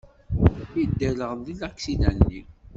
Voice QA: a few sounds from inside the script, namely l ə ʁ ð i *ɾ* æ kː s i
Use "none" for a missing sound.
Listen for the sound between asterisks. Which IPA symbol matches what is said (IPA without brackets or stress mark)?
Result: l